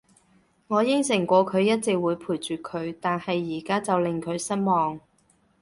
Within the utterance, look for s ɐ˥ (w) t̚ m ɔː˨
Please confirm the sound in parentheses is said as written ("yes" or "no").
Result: no